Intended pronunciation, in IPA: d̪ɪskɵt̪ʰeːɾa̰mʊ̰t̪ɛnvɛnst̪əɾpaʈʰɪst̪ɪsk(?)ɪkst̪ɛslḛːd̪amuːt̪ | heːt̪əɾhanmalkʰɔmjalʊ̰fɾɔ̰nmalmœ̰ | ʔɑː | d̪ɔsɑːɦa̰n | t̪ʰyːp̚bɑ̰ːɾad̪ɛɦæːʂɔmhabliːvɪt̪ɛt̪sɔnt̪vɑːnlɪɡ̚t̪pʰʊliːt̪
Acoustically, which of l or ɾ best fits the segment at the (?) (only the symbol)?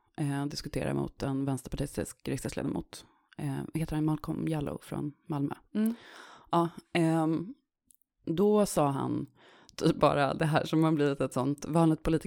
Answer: ɾ